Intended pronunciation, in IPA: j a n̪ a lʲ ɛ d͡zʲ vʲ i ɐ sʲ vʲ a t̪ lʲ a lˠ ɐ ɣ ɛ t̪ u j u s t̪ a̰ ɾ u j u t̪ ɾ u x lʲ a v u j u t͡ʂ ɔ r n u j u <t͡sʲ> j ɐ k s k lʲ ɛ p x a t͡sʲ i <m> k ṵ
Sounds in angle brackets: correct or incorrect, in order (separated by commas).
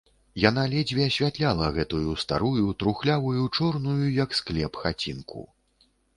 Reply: incorrect, incorrect